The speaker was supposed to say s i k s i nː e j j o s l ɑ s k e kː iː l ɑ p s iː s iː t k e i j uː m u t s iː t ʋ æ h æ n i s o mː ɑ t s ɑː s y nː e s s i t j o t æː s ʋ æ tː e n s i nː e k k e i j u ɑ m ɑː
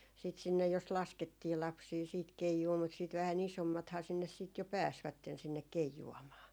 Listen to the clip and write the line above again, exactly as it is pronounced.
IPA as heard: s i t s i nː e j j o s l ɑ s k e tː iː l ɑ p s iː s iː t k e i j uː m u t s iː t ʋ æ h æ n i s o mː ɑ t h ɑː s i nː e s s iː t j o p æː s ʋ æ tː e n s i nː e k k e i j u ɑ m ɑː

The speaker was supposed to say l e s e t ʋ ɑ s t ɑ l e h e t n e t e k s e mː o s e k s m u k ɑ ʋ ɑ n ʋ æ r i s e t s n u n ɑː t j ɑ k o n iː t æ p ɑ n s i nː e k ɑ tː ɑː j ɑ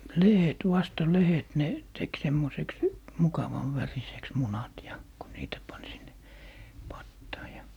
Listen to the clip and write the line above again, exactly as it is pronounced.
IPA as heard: l e h e t ʋ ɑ s t ɑ l e h e t n e t e k s e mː o s e k s m u k ɑ ʋ ɑ n ʋ æ r i s e k s m u n ɑ t j ɑ k o n iː t æ p ɑ n s i nː e p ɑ tː ɑː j ɑ

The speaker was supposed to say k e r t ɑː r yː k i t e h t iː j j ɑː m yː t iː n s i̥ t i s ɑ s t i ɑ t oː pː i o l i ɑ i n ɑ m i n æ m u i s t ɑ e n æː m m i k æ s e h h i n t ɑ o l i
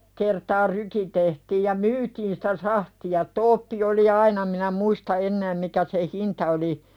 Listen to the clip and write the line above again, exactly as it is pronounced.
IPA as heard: k e r t ɑː r yː k i t e h t iː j j ɑ m yː t iː n s i̥ t æ s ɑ h t i ɑ t oː pː i o l i ɑ i n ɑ m i n æ m u i s t ɑ e nː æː m m i k æ s e h h i n t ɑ o l i

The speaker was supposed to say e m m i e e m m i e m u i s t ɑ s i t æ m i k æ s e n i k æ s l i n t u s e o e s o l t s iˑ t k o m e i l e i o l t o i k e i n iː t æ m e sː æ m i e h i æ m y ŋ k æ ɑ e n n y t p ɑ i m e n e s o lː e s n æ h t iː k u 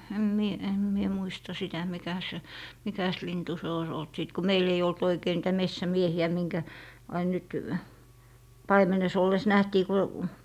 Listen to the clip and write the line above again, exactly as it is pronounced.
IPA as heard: e m m i e e m m i e m u i s t ɑ s i t æ m i k æ s e m i k æ s l i n t u s e o i s o l t s iˑ t k o m e i l e i o l t o i k e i n iː t æ m e sː æ m i e h i æ m i ŋ k æ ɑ i n n y t p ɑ i m e n e s o lː e s n æ h t iː k u

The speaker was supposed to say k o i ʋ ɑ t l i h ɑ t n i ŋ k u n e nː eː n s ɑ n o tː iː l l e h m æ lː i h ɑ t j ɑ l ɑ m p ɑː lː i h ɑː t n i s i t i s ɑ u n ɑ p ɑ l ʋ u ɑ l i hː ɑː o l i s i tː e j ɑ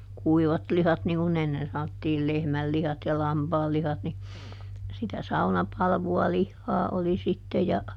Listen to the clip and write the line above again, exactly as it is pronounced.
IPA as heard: k u i ʋ ɑ t l i h ɑ t n i ŋ k u n e nː e n s ɑ n o tː iː l l e h m æ lː i h ɑ t j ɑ l ɑ m p ɑː lː i h ɑ t n i s i t æ s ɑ u n ɑ p ɑ l ʋ u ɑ l i hː ɑː o l i s i tː e j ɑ

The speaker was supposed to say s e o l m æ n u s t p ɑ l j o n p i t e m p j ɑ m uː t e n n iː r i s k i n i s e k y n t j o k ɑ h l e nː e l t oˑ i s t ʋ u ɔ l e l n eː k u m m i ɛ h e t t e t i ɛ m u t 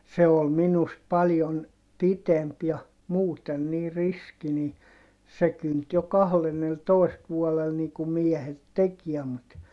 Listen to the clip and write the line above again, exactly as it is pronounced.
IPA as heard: s e o l m i n u s t p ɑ l j o n p i t e m p j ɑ m uː t e n n iː r i s k i n i s e k y n t j o k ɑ h l e nː e l t oˑ i s t ʋ u ɔ l e l n iː k u m m i ɛ h e t t e k i ɛ m u t

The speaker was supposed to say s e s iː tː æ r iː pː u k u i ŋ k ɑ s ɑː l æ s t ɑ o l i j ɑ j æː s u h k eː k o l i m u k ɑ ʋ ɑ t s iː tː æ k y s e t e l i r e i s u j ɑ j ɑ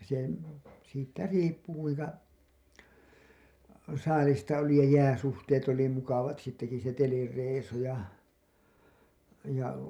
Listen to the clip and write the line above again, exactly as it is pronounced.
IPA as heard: s e s iː tː æ r iː pː u k u i ŋ k ɑ s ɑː l i s t ɑ o l i j ɑ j æː s u h t eː t o l i m u k ɑ ʋ ɑ t s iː tː æ k i s e t e l i r e i s u j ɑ j ɑ

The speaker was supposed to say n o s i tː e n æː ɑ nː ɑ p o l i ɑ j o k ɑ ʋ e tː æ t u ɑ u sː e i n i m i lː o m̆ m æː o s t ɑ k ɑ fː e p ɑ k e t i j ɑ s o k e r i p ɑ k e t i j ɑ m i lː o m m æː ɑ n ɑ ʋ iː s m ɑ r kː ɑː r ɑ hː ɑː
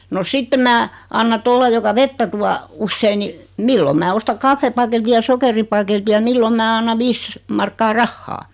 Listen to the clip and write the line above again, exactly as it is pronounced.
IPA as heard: n o s i tː e m æː ɑ nː ɑ t o l i ɑ j o k ɑ ʋ e tː æ t u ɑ u sː e i n i m i lː o m̆ m æː o s t ɑ k ɑ fː e p ɑ k e t i j ɑ s o k e r i p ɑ k e t i j ɑ m i lː o m m æː ɑ nː ɑ ʋ iː s m ɑ r kː ɑː r ɑ hː ɑː

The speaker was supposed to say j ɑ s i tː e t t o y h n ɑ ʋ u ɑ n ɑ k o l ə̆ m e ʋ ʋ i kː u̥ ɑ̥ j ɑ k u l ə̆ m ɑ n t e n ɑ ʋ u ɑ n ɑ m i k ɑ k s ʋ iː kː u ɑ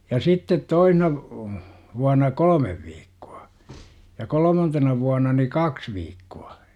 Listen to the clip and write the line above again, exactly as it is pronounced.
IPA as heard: j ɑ s i tː e t t o i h n ɑ ʋ u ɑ n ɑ k o l ə̆ m e ʋ ʋ iː kː u̥ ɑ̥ j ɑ k o l ə̆ m ɑ n t e n ɑ ʋ u ɑ n ɑ n i k ɑ k s ʋ iː kː u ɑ

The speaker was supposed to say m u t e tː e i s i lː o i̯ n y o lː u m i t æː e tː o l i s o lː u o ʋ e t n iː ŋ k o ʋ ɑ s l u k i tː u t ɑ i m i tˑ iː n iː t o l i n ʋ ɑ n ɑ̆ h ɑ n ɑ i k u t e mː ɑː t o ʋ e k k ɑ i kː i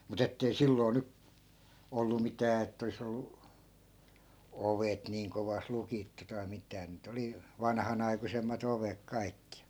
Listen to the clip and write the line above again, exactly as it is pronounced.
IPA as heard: m u t e tː e i s i lː o i̯ n y o lː u m i t æː e tː o l i s o lː u o ʋ e t n iː ŋ k o ʋ ɑ s l u k i tː u t ɑ i m i tˑ æː n iː t o l i ʋ ɑ n ɑ̆ h ɑ n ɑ i k u s e mː ɑ t o ʋ e k k ɑ i kː i

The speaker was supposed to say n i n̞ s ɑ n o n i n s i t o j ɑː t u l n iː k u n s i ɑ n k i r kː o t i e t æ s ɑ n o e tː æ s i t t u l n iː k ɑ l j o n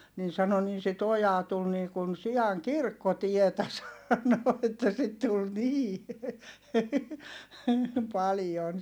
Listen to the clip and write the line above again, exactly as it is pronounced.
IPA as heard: n i n̞ s ɑ n o n i n s i t o j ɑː t u l n iː k u n s i ɑ ŋ k i r kː o t i e t æ s ɑ n o e tː æ s i t t u l n iː p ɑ l j o n

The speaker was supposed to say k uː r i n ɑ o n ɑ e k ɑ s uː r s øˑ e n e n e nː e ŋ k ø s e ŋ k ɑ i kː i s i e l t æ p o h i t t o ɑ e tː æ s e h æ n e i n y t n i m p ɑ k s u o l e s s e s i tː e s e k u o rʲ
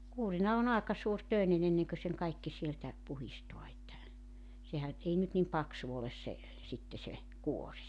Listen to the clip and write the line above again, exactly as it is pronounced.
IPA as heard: k uː r i n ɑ o n ɑ e k ɑ s uː r t øˑ e n e n e nː e ŋ k ø s e ŋ k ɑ i kː i s i e l t æ p u h i s t o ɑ e tː æ s e h æ n e i n y t n i m p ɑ k s u o l e s s e s i tː e s e k u o rʲ

